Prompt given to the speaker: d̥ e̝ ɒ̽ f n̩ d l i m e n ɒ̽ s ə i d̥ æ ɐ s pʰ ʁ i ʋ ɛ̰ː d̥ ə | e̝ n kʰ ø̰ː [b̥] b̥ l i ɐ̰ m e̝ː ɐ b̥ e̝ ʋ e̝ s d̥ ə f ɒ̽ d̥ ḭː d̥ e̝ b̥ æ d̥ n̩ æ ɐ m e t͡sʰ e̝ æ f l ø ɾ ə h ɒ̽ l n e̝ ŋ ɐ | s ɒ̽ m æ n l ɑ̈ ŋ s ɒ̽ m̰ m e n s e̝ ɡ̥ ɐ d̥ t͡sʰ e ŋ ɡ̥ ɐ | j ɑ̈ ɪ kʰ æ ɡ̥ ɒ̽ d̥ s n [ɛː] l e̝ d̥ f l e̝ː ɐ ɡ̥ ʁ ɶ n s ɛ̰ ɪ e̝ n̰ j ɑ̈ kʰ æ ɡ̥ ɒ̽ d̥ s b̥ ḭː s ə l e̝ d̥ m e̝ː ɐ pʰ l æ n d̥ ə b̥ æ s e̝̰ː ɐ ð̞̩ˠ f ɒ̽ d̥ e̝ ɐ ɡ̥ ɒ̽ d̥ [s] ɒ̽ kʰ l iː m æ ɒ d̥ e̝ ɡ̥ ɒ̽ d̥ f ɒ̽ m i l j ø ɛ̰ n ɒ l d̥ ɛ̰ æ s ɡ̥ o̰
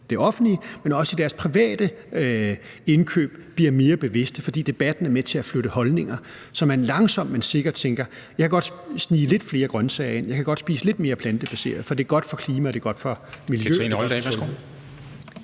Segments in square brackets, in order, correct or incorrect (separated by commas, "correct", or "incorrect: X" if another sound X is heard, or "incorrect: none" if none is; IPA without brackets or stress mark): correct, incorrect: iː, incorrect: f